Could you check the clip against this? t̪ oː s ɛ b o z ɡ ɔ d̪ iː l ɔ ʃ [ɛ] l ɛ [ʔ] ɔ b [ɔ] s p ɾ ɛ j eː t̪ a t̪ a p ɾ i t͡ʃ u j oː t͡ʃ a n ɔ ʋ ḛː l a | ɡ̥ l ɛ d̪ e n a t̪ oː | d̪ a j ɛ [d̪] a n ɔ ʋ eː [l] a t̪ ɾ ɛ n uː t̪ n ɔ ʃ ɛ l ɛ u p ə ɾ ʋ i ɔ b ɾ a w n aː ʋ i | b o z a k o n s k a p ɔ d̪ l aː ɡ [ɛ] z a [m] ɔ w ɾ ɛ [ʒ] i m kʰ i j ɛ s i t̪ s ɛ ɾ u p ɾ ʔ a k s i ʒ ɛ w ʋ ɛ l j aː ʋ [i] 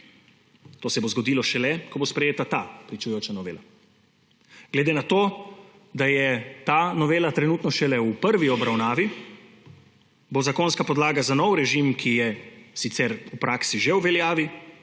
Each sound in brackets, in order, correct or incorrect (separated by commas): correct, incorrect, incorrect, incorrect, correct, incorrect, incorrect, correct, correct